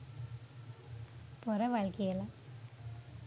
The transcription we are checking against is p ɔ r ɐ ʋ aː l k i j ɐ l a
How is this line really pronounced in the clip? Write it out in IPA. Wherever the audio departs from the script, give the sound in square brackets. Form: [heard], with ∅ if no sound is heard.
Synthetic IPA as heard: p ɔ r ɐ ʋ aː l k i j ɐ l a

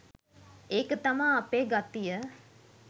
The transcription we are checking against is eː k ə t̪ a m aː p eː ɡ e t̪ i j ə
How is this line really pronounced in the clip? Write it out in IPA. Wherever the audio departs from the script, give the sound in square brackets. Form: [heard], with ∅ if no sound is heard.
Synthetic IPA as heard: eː k ə t̪ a m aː p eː ɡ [a] t̪ i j ə

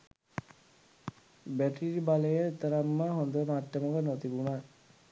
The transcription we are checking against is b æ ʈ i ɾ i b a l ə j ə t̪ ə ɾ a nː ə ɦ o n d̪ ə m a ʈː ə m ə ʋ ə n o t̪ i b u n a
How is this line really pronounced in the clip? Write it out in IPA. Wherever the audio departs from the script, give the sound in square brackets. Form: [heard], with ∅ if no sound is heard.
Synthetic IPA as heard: b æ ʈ i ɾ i b a l ə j ə t̪ ə ɾ a [mː] ə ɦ o n d̪ ə m a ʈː ə m ə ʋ ə n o t̪ i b u n a

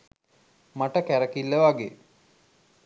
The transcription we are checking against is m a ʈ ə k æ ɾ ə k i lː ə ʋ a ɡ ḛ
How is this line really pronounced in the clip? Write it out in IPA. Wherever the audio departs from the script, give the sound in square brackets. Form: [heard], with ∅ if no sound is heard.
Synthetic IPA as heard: m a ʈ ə k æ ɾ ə k i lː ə ʋ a ɡ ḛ

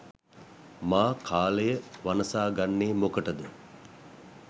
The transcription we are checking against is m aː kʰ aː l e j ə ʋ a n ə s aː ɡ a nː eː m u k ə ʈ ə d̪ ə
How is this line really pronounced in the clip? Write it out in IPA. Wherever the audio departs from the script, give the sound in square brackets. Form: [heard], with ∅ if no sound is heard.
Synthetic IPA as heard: m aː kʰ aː l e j ə ʋ a n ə s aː ɡ a nː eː m [o] k ə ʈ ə d̪ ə

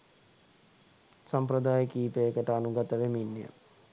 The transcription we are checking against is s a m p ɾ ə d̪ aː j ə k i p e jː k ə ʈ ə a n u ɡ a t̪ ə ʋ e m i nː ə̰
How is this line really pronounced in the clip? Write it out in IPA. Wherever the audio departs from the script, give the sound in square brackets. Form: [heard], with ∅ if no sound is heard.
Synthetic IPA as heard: s a m p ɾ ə d̪ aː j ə k [iː] p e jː k ə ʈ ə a n u ɡ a t̪ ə ʋ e m i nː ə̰

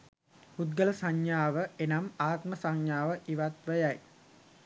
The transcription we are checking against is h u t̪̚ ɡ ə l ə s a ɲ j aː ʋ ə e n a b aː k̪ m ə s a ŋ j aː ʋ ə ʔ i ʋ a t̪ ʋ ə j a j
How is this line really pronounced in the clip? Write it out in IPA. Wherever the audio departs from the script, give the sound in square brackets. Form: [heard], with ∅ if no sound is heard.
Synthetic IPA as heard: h u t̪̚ ɡ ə l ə s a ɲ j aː ʋ ə e n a [m] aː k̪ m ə s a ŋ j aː ʋ ə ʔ i ʋ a t̪ ʋ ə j a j

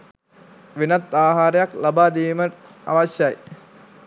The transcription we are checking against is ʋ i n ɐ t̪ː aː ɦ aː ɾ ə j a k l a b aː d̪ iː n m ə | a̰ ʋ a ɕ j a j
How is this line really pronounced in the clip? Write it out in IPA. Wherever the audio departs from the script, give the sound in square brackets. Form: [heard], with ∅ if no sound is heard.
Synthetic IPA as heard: ʋ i n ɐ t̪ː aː ɦ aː ɾ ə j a k l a b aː d̪ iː [∅] m ə | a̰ ʋ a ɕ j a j

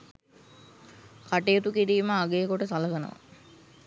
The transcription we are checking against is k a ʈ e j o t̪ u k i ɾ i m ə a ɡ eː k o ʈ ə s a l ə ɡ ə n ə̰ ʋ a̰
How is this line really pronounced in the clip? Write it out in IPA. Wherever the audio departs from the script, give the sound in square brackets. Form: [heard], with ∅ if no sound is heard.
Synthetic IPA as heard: k a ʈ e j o t̪ u k i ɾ [iː] m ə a ɡ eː k o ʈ ə s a l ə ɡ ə n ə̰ ʋ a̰

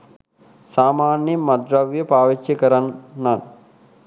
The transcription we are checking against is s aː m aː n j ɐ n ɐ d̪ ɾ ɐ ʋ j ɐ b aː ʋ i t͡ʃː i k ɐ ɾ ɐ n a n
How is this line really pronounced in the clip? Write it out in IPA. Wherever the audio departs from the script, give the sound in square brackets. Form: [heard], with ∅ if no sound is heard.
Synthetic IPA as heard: s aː m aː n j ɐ [m] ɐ d̪ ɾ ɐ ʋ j ɐ [p] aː ʋ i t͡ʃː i k ɐ ɾ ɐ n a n

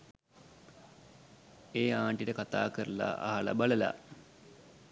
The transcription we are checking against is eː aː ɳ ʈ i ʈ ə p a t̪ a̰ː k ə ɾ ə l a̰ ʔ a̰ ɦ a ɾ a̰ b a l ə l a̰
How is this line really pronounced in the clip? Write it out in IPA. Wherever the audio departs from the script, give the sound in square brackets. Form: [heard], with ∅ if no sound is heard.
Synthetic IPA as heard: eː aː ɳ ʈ i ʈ ə [k] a t̪ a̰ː k ə ɾ ə l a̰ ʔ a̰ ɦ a [l] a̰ b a l ə l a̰

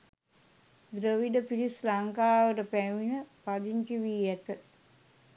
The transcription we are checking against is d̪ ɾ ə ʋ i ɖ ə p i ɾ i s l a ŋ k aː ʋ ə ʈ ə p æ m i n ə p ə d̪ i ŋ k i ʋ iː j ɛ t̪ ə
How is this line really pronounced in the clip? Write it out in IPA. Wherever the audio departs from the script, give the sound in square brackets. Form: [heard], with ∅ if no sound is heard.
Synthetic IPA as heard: d̪ ɾ ə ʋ i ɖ ə p i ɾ i s l a ŋ k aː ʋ ə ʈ ə p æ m i n ə p [a] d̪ i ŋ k i ʋ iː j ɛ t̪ ə

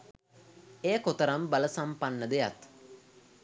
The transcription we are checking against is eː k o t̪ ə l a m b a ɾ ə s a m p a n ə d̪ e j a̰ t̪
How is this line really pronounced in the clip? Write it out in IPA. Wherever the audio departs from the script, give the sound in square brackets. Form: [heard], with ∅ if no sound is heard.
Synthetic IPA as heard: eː k o t̪ ə [ɾ] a m b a [l] ə s a m p a [nː] ə d̪ e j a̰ t̪

